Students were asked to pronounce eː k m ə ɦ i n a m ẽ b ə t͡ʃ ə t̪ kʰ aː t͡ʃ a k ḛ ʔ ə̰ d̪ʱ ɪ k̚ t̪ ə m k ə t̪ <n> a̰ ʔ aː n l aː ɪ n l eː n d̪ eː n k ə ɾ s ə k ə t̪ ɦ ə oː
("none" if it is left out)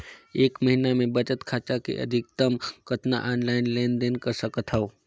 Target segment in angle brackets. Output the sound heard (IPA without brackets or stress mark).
n